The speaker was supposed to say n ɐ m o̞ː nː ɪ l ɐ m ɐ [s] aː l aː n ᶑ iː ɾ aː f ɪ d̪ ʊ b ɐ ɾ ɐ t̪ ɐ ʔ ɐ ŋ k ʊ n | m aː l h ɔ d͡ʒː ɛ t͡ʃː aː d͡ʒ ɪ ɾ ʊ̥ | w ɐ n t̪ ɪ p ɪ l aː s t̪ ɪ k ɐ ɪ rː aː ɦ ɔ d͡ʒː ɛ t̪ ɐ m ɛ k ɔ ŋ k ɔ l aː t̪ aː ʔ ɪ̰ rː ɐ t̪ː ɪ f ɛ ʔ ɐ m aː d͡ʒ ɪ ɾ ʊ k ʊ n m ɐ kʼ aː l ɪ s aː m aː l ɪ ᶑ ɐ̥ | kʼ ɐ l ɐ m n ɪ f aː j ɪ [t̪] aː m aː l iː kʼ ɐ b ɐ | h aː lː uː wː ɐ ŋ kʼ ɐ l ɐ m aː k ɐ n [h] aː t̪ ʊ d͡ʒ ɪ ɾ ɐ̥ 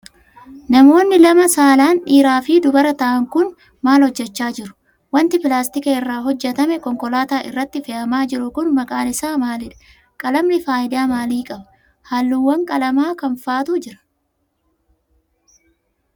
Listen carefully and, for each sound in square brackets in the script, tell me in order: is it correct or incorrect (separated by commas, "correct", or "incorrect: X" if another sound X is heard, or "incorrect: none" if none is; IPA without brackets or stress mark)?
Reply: correct, incorrect: d̪, incorrect: f